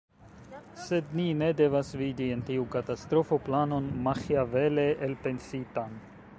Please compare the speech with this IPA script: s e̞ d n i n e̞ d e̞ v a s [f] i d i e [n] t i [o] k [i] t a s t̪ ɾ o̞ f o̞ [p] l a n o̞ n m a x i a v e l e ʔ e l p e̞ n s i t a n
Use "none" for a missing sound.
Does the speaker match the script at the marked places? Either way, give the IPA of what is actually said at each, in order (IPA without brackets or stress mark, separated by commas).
v, n, u, a, p